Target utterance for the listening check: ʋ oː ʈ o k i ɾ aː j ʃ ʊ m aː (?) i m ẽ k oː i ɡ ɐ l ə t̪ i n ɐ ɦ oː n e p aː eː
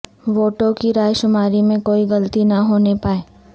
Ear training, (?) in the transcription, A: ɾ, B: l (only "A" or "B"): A